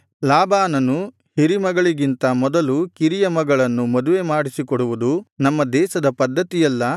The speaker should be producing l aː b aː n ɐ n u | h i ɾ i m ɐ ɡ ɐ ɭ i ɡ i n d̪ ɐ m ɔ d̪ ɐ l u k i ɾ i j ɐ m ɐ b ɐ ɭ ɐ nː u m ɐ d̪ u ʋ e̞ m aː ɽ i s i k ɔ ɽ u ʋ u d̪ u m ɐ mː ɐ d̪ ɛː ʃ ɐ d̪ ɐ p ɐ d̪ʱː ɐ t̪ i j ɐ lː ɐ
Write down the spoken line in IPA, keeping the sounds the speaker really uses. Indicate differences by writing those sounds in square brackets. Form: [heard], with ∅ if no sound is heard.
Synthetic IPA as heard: l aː b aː n ɐ n u | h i ɾ i m ɐ ɡ ɐ ɭ i ɡ i n [t̪] ɐ m ɔ d̪ ɐ l u k i ɾ i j ɐ m ɐ [ɡ] ɐ ɭ ɐ nː u m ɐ d̪ u ʋ e̞ m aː ɽ i s i k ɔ ɽ u ʋ u d̪ u [n] ɐ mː ɐ d̪ ɛː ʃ ɐ d̪ ɐ p ɐ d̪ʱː ɐ t̪ i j ɐ lː ɐ